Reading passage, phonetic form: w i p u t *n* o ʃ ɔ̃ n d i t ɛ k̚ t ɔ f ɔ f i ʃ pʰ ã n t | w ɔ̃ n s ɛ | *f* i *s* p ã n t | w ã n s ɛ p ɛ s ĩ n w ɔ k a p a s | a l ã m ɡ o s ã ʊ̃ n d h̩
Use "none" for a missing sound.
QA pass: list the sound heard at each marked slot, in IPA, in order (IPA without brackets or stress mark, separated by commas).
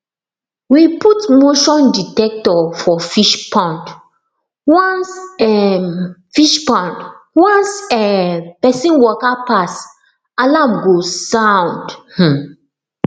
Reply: m, f, ʃ